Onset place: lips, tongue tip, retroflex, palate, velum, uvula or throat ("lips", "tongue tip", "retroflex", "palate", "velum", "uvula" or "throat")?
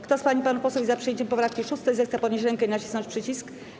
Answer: velum